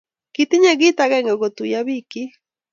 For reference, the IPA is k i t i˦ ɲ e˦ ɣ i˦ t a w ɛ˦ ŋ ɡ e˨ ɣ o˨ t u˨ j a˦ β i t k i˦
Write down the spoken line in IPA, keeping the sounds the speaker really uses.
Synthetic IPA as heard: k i t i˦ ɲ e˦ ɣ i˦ t a ɣ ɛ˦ ŋ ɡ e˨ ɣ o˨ t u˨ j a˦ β i k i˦